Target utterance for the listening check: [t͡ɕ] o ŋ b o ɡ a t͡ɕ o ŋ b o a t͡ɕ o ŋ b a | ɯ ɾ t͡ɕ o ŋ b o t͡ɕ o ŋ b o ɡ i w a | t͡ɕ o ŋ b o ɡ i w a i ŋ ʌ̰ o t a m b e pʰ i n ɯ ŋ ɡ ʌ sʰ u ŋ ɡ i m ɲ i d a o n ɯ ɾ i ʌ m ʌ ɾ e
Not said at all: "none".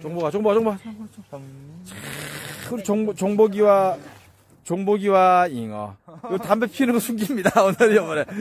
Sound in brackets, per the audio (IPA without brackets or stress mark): t͡ɕ